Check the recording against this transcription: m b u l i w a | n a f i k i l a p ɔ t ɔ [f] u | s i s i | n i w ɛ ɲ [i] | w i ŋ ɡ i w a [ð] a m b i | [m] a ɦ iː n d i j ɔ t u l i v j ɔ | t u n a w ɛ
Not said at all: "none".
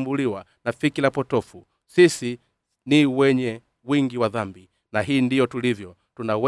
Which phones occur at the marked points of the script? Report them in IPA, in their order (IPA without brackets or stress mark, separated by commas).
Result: f, ɛ, ð, n